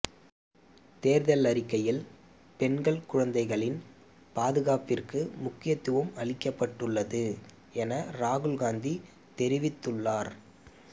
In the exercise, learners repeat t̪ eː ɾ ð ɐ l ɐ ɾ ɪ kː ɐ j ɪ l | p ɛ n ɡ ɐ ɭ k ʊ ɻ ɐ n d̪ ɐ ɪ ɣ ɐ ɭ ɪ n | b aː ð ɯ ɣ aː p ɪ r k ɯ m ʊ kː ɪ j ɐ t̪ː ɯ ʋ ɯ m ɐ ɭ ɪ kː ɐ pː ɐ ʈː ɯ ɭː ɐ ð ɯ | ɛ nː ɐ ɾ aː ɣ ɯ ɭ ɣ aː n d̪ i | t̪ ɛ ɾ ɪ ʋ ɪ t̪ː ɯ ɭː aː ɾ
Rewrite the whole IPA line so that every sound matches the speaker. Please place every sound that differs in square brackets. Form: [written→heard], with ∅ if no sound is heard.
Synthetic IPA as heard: t̪ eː ɾ ð ɐ l ɐ ɾ ɪ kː ɐ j ɪ l | p ɛ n ɡ ɐ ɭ k ʊ ɻ ɐ n d̪ ɐ ɪ ɣ ɐ ɭ ɪ n | [b→p] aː ð ɯ ɣ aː p ɪ r k ɯ m ʊ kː ɪ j ɐ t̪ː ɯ ʋ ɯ m ɐ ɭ ɪ kː ɐ pː ɐ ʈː ɯ ɭː ɐ ð ɯ | ɛ [nː→n] ɐ ɾ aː ɣ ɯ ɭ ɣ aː n d̪ i | t̪ ɛ ɾ ɪ ʋ ɪ t̪ː ɯ ɭː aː ɾ